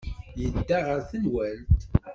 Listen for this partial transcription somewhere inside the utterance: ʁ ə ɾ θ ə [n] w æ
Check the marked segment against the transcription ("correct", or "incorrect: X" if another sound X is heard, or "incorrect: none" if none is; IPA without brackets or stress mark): correct